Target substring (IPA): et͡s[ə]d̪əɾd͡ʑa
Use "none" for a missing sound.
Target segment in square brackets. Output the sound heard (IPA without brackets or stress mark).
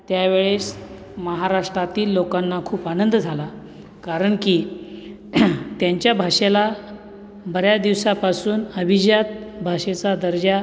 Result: a